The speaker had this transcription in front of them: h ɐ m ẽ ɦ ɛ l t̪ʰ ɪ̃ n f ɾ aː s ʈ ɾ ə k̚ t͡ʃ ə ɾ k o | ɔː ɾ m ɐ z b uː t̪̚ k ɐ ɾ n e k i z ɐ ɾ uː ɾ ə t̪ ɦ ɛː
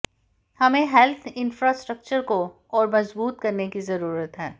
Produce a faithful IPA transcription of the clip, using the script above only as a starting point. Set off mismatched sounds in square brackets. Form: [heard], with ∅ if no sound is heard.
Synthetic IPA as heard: h ɐ m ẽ ɦ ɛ l t̪ʰ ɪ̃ n f ɾ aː s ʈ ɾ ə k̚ t͡ʃ ə ɾ k o | ɔː ɾ m ɐ z b uː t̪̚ k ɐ ɾ n e k i z ɐ ɾ uː ɾ ə t̪ ɦ ɛː